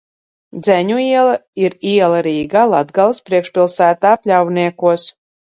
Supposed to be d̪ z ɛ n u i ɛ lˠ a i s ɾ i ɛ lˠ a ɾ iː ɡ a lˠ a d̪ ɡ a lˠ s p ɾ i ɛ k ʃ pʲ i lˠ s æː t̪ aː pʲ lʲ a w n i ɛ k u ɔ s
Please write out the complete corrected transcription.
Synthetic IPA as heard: d̪ z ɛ ɲ u i ɛ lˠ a i ɾ i ɛ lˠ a ɾ iː ɡ a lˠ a d̪ ɡ a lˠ s p ɾ i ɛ k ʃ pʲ i lˠ s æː t̪ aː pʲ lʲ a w n i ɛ k u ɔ s